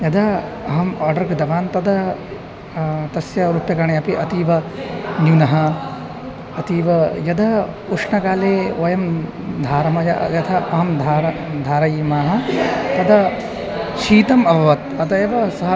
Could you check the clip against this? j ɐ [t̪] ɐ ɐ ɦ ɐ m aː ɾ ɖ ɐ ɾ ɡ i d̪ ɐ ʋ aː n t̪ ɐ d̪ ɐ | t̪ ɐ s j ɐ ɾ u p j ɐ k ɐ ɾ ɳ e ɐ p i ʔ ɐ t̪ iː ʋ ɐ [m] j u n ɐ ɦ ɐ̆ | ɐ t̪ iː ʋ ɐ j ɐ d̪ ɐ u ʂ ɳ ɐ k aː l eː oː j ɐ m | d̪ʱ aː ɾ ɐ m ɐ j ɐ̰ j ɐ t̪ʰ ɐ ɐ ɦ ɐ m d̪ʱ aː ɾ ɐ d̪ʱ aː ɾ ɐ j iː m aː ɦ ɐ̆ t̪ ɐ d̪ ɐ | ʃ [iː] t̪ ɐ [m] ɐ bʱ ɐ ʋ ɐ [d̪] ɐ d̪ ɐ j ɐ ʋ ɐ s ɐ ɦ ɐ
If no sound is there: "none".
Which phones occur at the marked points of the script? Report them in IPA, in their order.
d̪, n, iː, m, t̪

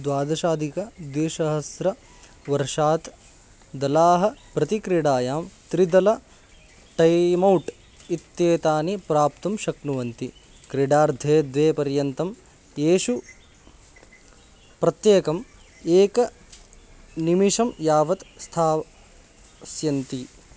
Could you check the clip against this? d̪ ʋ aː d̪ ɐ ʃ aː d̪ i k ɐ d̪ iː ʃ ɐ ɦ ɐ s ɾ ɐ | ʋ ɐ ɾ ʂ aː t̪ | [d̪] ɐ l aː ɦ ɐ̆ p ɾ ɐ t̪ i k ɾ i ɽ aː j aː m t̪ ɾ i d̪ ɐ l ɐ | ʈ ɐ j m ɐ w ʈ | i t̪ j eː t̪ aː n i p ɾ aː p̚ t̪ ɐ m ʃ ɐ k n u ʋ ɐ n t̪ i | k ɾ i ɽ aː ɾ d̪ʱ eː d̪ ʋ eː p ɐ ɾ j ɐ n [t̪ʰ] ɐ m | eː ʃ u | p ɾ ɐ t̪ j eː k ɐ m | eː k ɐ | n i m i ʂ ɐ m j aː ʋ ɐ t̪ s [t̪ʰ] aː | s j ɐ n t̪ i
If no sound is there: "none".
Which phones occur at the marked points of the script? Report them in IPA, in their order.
d̪, t̪, t̪ʰ

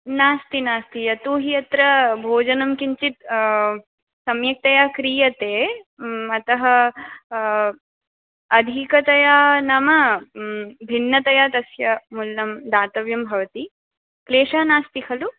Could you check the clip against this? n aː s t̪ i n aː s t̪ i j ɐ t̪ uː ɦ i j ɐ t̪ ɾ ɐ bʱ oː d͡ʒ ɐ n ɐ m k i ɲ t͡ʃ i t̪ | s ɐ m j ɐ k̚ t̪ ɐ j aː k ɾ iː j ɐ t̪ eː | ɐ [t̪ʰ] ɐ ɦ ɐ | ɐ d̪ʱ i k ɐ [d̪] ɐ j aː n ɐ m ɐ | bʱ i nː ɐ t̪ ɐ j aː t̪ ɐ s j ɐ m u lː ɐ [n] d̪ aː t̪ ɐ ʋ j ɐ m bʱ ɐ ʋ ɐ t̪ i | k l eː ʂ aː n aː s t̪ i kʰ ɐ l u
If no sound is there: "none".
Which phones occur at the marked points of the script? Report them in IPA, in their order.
t̪, t̪, m

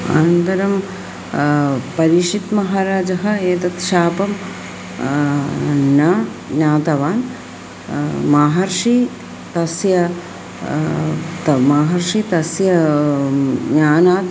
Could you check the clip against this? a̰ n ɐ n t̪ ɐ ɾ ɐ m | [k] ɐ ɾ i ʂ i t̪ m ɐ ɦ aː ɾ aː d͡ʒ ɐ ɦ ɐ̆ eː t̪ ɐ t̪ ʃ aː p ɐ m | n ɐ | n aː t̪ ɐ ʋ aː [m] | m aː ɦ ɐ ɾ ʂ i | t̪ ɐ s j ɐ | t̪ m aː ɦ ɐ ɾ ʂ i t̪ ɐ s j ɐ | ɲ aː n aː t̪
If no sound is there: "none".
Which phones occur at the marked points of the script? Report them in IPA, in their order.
p, n

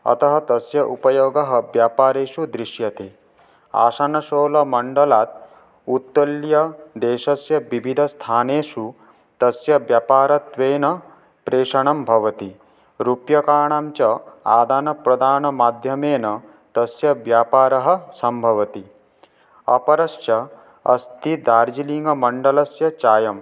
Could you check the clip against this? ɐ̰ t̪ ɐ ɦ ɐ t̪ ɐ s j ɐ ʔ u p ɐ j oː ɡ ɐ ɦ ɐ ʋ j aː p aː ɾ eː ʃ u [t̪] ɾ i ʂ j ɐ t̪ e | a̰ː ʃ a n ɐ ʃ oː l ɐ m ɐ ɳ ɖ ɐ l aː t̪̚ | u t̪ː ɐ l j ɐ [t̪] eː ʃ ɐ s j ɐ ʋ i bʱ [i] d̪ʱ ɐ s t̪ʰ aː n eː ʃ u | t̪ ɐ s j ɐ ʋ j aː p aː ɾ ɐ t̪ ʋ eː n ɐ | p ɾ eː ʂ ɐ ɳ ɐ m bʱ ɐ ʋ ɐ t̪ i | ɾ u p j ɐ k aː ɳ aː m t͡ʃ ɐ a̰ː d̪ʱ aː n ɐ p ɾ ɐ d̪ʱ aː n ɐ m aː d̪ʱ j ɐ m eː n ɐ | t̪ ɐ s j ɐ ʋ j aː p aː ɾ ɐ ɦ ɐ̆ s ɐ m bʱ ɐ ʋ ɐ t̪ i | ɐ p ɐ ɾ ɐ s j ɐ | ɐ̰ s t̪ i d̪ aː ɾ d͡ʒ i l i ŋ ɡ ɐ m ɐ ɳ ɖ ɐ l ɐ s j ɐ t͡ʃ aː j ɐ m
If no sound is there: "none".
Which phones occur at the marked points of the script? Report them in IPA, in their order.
d̪, d̪, i

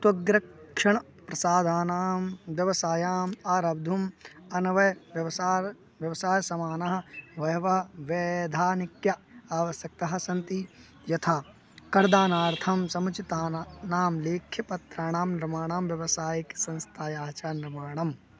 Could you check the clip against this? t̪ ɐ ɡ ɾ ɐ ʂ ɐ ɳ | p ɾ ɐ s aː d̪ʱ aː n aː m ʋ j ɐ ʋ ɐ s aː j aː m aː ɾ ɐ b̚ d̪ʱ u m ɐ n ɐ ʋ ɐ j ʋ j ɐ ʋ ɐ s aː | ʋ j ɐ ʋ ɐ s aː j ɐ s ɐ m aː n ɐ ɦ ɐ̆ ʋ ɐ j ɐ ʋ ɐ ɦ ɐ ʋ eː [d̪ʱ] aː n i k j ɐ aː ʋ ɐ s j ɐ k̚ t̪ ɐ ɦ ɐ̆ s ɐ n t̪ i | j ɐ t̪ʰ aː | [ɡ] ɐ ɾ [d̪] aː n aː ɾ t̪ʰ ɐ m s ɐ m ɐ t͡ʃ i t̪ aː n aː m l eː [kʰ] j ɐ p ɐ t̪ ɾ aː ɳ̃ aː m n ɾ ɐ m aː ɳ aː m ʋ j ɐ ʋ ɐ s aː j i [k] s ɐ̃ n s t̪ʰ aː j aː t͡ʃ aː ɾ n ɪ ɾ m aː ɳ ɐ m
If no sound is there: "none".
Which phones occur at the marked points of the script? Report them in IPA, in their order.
d̪ʱ, k, d̪, kʰ, k

